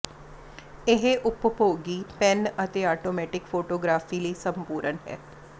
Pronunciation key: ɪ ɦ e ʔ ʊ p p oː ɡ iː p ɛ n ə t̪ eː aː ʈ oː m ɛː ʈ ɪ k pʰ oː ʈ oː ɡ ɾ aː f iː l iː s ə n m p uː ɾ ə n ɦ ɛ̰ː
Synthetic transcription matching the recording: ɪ ɦ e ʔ ʊ p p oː ɡ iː p ɛ n ə t̪ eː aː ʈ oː m ɛː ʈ ɪ k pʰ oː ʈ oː ɡ ɾ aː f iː l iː s ə m p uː ɾ ə n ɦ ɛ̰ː